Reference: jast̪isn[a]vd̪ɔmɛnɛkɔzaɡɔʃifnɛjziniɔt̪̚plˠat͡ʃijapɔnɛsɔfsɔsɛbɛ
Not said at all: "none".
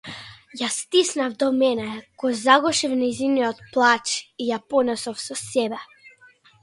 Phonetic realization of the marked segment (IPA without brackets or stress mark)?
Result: a